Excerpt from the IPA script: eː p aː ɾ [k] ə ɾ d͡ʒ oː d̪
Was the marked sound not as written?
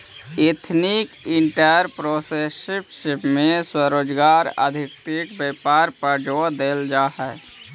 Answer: yes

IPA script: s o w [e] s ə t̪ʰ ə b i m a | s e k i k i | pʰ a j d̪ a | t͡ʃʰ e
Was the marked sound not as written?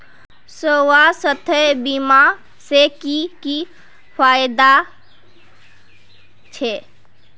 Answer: yes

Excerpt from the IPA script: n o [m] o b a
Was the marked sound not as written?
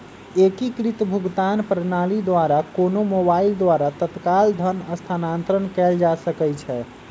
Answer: no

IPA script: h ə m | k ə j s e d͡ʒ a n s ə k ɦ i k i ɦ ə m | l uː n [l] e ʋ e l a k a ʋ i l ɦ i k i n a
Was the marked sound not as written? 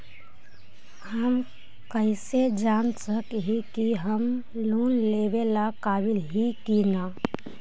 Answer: no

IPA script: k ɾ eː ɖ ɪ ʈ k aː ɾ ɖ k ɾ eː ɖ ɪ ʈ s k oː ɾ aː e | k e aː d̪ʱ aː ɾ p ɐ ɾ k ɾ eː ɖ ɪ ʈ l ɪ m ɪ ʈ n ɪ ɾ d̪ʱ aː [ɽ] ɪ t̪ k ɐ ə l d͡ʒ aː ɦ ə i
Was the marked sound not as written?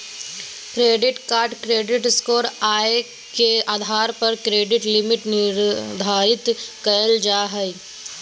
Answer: yes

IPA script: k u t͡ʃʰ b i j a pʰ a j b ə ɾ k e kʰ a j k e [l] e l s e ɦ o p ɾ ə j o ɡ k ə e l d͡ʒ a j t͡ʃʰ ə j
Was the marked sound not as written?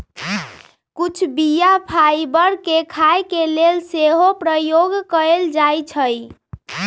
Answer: no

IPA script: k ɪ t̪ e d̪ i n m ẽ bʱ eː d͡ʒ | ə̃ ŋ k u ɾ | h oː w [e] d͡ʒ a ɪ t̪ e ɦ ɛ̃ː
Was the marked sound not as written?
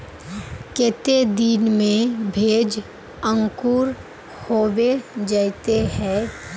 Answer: no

